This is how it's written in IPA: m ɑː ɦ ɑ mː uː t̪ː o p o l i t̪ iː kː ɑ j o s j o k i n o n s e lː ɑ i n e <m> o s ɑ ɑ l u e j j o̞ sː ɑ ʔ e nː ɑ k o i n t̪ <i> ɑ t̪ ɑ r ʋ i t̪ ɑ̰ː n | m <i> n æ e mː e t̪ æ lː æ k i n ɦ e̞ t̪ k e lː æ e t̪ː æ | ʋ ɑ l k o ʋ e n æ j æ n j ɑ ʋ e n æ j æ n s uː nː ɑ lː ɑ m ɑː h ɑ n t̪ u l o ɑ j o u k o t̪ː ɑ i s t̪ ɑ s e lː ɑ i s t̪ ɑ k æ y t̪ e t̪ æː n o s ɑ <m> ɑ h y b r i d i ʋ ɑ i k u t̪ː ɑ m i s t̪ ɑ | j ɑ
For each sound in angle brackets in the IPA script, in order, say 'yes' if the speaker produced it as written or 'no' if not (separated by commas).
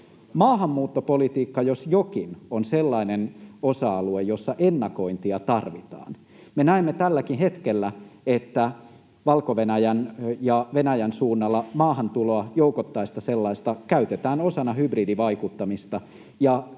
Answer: no, yes, no, no